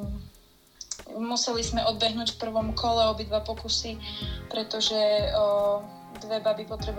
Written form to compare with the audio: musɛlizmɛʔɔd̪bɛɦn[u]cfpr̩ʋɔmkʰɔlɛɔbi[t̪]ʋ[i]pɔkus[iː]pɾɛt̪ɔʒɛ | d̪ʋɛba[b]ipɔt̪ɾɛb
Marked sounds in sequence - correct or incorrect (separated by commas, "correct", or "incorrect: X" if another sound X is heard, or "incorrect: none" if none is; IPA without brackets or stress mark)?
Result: incorrect: uː, incorrect: d̪, incorrect: a, incorrect: i, correct